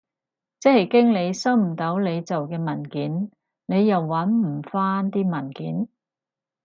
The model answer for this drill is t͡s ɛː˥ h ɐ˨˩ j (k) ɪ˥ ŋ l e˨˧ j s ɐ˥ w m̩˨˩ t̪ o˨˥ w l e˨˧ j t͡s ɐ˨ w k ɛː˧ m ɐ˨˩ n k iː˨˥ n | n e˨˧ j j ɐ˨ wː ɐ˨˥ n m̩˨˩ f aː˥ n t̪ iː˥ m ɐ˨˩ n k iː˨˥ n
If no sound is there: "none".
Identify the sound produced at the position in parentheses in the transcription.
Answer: k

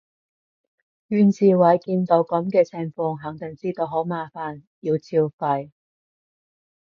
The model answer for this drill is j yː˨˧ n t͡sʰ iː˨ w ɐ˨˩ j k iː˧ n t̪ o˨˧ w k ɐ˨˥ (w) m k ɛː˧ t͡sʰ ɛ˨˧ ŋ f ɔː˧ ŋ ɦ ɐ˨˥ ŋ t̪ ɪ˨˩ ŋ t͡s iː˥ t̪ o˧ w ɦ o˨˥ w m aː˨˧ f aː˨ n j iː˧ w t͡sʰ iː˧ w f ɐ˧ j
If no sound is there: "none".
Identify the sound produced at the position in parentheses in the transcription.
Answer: none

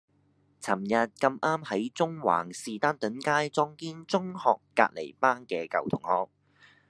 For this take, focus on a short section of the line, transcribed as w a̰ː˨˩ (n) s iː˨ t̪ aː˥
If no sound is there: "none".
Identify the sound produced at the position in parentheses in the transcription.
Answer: ŋ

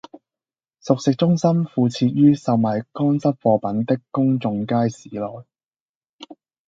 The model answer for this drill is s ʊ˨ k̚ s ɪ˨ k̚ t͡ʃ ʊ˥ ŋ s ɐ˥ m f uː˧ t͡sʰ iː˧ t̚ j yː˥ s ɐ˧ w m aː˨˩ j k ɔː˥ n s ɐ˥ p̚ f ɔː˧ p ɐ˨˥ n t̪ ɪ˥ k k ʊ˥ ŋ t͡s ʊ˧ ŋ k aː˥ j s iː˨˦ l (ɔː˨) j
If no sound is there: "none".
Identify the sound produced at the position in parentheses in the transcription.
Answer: ɔː˨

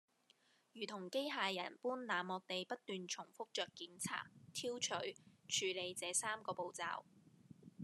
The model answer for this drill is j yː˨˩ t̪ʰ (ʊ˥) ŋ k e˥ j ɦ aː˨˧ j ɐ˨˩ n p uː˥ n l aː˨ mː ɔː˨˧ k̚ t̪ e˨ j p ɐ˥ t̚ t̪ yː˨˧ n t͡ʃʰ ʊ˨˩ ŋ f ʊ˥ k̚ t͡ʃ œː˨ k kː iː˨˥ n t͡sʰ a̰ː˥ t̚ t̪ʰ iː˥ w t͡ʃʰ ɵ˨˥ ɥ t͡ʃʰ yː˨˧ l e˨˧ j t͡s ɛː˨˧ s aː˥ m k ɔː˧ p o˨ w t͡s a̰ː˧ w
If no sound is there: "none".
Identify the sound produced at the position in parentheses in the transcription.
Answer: ʊ˨˩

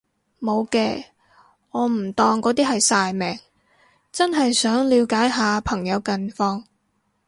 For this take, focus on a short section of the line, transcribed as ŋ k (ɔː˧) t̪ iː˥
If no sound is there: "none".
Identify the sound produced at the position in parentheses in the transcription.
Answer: ɔː˨˥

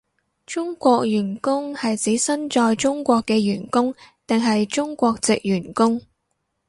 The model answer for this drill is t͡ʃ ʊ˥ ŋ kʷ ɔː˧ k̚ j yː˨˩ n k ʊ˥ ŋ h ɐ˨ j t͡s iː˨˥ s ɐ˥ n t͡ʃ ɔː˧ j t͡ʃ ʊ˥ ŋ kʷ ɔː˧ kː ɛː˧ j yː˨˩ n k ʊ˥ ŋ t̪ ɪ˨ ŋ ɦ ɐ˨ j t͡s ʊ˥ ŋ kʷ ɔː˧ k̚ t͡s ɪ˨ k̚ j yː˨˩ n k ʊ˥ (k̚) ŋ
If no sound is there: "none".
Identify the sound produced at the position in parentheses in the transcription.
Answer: none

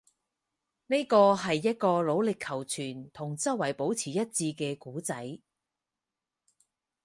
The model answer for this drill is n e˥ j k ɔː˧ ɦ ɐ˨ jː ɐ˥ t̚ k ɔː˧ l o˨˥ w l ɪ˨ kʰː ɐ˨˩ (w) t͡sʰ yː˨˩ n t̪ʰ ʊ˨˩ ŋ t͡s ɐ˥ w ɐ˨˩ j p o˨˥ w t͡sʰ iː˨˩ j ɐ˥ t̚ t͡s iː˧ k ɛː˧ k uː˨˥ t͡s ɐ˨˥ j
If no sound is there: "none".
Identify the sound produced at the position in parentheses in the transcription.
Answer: w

